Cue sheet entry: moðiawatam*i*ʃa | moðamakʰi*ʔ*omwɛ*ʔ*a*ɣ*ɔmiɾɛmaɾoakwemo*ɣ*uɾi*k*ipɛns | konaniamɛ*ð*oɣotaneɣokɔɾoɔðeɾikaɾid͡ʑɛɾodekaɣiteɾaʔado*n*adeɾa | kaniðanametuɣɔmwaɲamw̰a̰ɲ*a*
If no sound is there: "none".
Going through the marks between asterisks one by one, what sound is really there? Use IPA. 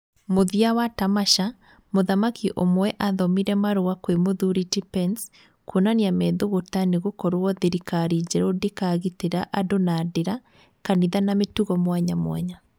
a, ʔ, ʔ, ð, ð, t, ð, n, a

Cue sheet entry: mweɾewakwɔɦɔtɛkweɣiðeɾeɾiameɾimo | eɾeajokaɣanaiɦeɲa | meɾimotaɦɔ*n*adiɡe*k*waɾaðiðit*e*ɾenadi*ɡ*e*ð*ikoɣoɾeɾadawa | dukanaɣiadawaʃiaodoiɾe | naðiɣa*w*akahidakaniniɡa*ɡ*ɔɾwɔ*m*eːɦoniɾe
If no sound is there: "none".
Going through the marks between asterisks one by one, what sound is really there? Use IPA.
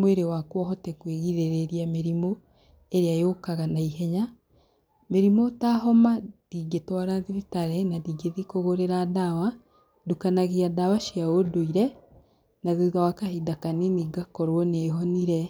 m, t, a, ɡ, ð, w, k, n

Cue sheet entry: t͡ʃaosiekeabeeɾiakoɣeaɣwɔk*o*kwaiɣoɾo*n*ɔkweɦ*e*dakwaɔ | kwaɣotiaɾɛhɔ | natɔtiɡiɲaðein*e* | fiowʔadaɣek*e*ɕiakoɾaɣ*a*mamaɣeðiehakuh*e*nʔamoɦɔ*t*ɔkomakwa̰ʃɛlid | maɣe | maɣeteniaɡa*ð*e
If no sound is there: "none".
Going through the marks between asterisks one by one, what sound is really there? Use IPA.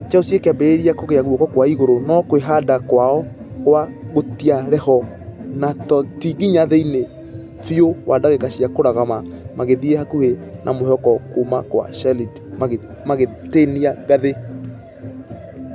ɔ, n, a, e, a, a, e, k, ð

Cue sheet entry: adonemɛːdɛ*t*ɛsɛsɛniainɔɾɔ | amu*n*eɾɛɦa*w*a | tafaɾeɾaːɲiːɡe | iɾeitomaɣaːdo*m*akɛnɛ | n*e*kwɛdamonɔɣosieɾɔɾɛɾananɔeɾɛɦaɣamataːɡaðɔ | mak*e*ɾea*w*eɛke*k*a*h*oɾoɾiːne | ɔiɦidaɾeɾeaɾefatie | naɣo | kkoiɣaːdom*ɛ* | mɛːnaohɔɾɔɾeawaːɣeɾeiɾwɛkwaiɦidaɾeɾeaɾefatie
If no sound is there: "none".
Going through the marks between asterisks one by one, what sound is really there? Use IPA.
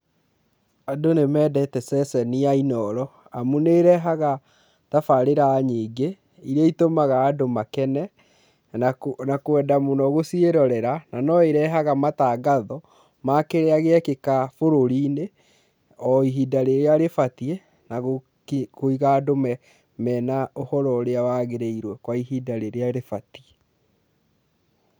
t, n, ɣ, m, a, e, ɣ, k, f, ɛ

